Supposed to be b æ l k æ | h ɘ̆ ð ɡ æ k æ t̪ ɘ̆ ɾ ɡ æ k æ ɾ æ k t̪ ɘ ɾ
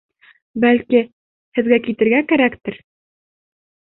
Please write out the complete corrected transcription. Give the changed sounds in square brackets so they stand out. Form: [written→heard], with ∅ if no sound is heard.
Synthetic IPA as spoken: b æ l k [æ→i] | h ɘ̆ ð ɡ æ k [æ→i] t̪ ɘ̆ ɾ ɡ æ k æ ɾ æ k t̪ ɘ ɾ